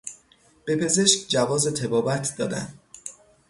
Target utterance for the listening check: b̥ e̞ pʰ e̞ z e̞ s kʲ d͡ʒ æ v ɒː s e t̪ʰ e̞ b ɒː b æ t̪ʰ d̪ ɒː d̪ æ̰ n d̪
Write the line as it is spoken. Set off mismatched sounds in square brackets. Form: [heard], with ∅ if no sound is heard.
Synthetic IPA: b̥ e̞ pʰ e̞ z e̞ [ʃ] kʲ d͡ʒ æ v ɒː [z] e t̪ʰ e̞ b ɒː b æ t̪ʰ d̪ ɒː d̪ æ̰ n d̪